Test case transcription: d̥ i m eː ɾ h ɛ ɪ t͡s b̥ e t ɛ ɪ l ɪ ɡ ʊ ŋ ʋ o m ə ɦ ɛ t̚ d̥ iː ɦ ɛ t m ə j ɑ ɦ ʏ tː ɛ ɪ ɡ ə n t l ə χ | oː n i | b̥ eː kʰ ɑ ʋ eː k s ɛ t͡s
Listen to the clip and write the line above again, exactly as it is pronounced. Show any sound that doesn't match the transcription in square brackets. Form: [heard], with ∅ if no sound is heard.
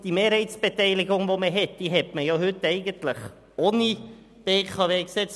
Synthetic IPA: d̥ i m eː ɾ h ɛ ɪ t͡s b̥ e t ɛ ɪ l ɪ ɡ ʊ ŋ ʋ o m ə ɦ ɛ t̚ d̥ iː ɦ ɛ t m ə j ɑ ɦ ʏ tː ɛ ɪ ɡ ə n t l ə χ | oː n i | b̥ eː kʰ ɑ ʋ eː k s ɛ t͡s